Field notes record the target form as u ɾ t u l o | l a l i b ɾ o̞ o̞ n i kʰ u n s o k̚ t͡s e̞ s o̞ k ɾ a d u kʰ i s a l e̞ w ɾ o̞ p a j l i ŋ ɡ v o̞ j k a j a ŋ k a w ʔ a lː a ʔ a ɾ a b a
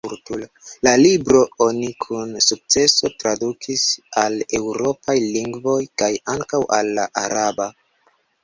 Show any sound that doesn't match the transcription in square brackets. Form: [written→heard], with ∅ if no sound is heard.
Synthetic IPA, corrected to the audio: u ɾ t u l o | l a l i b ɾ o̞ o̞ n i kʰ u n s [o→u] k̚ t͡s e̞ s o̞ [k→t] ɾ a d u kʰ i s a l e̞ w ɾ o̞ p a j l i ŋ ɡ v o̞ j k a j a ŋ k a w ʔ a lː a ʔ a ɾ a b a